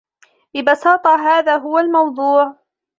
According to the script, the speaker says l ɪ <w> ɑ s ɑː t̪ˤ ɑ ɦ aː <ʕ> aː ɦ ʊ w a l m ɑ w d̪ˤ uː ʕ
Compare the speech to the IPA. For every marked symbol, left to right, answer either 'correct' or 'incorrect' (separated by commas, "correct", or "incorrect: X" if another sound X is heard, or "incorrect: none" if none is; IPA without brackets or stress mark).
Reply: incorrect: b, incorrect: ð